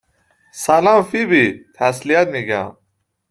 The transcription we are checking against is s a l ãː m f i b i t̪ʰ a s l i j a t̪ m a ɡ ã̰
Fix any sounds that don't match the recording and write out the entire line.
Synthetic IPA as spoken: s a l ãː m f i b i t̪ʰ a s l i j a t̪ m i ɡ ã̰